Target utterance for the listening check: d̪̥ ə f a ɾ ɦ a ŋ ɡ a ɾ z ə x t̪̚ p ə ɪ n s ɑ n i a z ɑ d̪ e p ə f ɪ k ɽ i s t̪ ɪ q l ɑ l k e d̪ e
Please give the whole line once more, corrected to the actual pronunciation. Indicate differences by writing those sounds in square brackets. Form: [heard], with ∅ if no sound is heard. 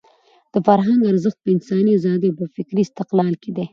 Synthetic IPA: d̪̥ ə f a ɾ ɦ a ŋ ɡ a ɾ z ə x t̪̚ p ə ɪ n s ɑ n i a z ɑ d̪ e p ə f ɪ k [ɾ] i s t̪ ɪ q l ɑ l k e d̪ e

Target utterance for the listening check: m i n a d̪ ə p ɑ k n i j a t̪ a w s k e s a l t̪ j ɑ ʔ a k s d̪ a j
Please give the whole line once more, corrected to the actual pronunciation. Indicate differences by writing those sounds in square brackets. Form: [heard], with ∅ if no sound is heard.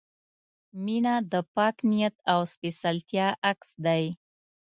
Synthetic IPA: m i n a d̪ ə p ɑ k n i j a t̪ a w s [p] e s a l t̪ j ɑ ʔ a k s d̪ a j

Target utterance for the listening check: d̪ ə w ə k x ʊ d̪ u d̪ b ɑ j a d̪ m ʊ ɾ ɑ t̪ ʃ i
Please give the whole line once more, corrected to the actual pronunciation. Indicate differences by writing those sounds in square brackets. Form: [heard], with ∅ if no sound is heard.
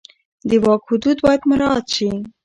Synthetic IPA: d̪ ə w [ɑ] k [h] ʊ d̪ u d̪ b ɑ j a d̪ m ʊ ɾ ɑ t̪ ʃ i

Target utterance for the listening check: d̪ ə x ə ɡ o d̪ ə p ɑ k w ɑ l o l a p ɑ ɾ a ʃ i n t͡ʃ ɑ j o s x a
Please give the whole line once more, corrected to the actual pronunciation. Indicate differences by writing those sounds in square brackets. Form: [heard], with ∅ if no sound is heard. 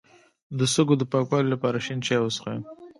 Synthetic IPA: d̪ ə [s] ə ɡ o d̪ ə p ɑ k w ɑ l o l a p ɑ ɾ a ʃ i n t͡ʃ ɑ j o s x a

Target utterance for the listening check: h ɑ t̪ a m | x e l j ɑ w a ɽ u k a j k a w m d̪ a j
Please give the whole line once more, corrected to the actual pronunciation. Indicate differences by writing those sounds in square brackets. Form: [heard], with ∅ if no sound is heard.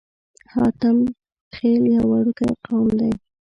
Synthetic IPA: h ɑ t̪ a m | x e l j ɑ w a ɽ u k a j [q] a w m d̪ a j

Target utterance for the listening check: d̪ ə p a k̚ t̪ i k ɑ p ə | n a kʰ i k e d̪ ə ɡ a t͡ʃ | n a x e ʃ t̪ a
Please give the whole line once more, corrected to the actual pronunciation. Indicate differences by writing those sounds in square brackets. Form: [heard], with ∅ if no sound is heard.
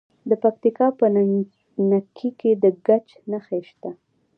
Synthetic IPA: d̪ ə p a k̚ t̪ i k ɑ p ə | n a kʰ i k e d̪ ə ɡ a t͡ʃ | n a x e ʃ t̪ a

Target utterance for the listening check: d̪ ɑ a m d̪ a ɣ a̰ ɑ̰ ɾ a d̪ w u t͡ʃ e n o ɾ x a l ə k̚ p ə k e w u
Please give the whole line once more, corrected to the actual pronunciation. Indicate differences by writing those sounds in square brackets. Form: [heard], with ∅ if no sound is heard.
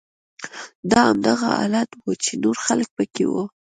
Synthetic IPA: d̪ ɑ a m d̪ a ɣ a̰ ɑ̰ [l] a [t̪] w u t͡ʃ e n o ɾ x a l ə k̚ p ə k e w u

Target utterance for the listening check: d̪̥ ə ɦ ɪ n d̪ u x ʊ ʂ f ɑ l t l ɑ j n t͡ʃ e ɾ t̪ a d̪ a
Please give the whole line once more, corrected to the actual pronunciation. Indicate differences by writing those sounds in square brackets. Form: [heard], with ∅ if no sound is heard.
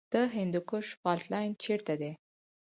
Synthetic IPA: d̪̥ ə ɦ ɪ n d̪ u [k] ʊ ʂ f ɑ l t l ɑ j n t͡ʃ e ɾ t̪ a d̪ [e]

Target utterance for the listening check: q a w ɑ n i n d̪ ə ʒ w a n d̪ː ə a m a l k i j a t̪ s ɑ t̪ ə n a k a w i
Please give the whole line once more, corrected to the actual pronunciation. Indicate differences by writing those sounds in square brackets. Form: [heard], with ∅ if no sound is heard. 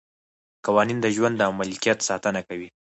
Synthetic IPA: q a w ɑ n i n d̪ ə ʒ w a n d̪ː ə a m a l k i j a t̪ s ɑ t̪ ə n a k a w i

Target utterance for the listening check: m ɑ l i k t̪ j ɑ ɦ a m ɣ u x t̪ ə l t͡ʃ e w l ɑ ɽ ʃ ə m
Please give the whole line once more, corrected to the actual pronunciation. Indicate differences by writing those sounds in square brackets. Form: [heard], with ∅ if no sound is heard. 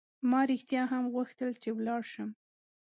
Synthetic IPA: m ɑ [ɾ] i [x] t̪ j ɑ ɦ a m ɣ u x t̪ ə l t͡ʃ e w l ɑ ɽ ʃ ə m

